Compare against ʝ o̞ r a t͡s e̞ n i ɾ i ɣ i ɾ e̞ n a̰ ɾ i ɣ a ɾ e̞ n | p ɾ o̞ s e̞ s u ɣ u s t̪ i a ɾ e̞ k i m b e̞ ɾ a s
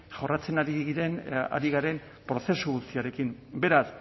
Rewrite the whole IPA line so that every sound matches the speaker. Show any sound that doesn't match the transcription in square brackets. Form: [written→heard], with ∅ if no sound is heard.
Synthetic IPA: ʝ o̞ r a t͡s e̞ n [i→a] ɾ i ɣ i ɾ e̞ n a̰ ɾ i ɣ a ɾ e̞ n | p ɾ o̞ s e̞ s u ɣ u s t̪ i a ɾ e̞ k i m b e̞ ɾ a s

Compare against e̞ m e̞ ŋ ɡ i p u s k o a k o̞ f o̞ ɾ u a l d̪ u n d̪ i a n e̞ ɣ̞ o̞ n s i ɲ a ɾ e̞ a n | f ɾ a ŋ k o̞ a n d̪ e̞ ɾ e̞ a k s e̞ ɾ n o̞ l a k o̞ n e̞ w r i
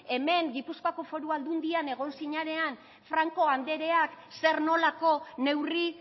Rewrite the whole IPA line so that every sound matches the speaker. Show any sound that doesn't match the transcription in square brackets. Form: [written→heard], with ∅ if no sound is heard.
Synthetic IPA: e̞ m e̞ ŋ ɡ i p u s k o a k o̞ f o̞ ɾ u a l d̪ u n d̪ i a n e̞ ɣ̞ o̞ n s i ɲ a ɾ e̞ a n | f ɾ a ŋ k o̞ a n d̪ e̞ ɾ e̞ a k s e̞ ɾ n o̞ l a k o̞ n e̞ w r i

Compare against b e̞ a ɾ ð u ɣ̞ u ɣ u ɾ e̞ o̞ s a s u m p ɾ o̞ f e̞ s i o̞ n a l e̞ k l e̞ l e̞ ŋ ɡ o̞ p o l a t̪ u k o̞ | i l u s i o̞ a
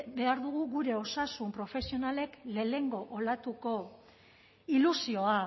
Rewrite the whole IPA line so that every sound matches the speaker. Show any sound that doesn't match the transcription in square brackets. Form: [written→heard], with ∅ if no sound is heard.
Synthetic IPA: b e̞ a ɾ ð u ɣ̞ u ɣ u ɾ e̞ o̞ s a s u m p ɾ o̞ f e̞ s i o̞ n a l e̞ k l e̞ l e̞ ŋ ɡ o̞ [p→ʔ] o l a t̪ u k o̞ | i l u s i o̞ a

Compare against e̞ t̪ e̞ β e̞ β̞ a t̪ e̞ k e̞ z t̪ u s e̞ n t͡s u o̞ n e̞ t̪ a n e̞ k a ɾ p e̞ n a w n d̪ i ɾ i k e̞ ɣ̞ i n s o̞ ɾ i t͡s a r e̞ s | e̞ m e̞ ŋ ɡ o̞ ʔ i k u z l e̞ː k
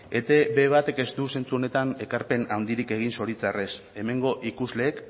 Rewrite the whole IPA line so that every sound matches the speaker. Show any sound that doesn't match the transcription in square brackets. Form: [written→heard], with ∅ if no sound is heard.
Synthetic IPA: e̞ t̪ e̞ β e̞ β̞ a t̪ e̞ k e̞ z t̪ u s e̞ n t͡s u o̞ n e̞ t̪ a n e̞ k a ɾ p e̞ n a w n d̪ i ɾ i k e̞ ɣ̞ i n s o̞ ɾ i t͡s a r e̞ s | e̞ m e̞ ŋ ɡ o̞ ʔ i k u z l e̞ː k

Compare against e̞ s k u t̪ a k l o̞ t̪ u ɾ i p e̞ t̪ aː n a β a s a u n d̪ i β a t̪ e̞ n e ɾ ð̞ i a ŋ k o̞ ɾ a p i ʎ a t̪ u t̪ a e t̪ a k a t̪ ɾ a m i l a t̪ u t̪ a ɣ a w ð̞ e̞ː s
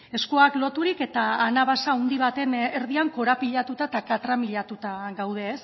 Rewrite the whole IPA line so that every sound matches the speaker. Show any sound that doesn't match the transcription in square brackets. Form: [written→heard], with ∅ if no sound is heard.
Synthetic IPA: e̞ s k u [t̪→∅] a k l o̞ t̪ u ɾ i [p→k] e̞ t̪ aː n a β a s a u n d̪ i β a t̪ e̞ n e ɾ ð̞ i a ŋ k o̞ ɾ a p i ʎ a t̪ u t̪ a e t̪ a k a t̪ ɾ a m i [l→ʎ] a t̪ u t̪ a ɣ a w ð̞ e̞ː s

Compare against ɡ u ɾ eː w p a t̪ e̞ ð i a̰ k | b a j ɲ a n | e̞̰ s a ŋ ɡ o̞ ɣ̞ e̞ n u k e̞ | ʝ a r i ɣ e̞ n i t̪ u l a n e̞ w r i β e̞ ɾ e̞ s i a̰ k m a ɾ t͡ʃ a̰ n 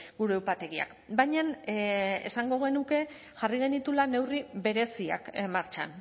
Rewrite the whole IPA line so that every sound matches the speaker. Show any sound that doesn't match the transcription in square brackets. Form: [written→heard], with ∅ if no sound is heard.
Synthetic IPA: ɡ u ɾ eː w p a t̪ e̞ [ð→ɣ] i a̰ k | b a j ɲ a n | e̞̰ s a ŋ ɡ o̞ ɣ̞ e̞ n u k e̞ | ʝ a r i ɣ e̞ n i t̪ u l a n e̞ w r i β e̞ ɾ e̞ s i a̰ k m a ɾ t͡ʃ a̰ n

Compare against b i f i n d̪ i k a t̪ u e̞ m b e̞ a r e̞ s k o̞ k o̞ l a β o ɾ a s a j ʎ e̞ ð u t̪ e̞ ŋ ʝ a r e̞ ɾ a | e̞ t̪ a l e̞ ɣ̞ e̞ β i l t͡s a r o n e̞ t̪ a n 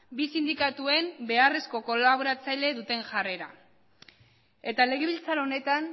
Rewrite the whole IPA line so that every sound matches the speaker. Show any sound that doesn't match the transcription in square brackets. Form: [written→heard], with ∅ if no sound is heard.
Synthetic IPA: b i [f→s] i n d̪ i k a t̪ u e̞ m b e̞ a r e̞ s k o̞ k o̞ l a β o ɾ a [s→t͡s] a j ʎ e̞ ð u t̪ e̞ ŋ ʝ a r e̞ ɾ a | e̞ t̪ a l e̞ ɣ̞ e̞ β i l t͡s a [r→ɾ] o n e̞ t̪ a n

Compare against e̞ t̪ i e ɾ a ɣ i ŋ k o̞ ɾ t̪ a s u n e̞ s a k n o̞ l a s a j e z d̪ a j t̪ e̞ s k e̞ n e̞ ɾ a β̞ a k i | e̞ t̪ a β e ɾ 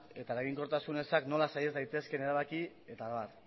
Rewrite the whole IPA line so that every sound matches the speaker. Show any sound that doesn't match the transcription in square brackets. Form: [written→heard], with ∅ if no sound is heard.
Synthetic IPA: e̞ t̪ [i→a] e ɾ a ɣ i ŋ k o̞ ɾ t̪ a s u n e̞ s a k n o̞ l a s a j e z d̪ a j t̪ e̞ s k e̞ n e̞ ɾ a β̞ a k i | e̞ t̪ a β [e→a] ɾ

